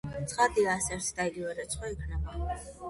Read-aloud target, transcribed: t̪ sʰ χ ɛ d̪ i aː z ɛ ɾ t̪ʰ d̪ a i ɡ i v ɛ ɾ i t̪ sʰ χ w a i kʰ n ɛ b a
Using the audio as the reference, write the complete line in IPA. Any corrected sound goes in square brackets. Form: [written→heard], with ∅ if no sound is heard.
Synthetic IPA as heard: t̪ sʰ χ [ɛ→a] d̪ i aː [z→s] ɛ ɾ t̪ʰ d̪ a i ɡ i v ɛ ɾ [i→ɛ] t̪ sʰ χ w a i kʰ n ɛ b a